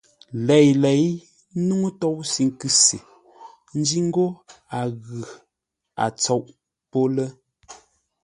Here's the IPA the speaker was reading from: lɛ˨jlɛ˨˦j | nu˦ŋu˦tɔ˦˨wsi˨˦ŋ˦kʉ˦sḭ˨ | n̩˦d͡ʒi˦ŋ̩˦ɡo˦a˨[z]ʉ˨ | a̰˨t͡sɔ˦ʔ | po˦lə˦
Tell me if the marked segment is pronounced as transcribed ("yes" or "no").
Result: no